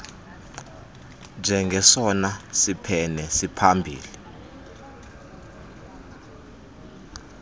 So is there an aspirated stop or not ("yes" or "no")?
yes